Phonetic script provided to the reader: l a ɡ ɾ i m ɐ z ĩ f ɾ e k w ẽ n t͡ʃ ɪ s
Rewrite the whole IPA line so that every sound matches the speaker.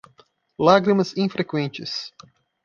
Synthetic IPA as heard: l a ɡ ɾ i m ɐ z ĩ f ɾ e k w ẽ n t͡ʃ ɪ s